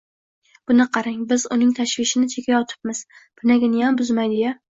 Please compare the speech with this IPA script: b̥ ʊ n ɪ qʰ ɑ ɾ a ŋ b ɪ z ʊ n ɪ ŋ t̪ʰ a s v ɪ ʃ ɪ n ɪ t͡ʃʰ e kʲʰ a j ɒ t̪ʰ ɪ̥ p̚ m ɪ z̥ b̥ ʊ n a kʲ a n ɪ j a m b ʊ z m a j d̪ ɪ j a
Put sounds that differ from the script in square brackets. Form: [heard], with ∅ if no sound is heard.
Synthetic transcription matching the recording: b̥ ʊ n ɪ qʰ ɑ ɾ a ŋ b ɪ z ʊ n ɪ ŋ t̪ʰ a [ʃ] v ɪ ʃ ɪ n ɪ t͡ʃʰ e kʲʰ a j ɒ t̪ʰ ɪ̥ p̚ m ɪ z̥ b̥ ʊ n a [ɡʲ] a n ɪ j a m b ʊ z m a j d̪ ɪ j a